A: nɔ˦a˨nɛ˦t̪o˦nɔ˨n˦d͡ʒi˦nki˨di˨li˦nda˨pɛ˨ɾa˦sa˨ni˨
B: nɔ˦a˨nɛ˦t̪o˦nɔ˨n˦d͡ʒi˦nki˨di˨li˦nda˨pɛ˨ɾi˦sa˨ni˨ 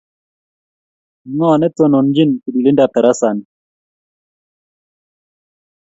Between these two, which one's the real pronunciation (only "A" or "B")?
A